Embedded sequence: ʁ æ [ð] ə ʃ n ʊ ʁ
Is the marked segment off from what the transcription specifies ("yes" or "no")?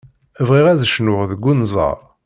no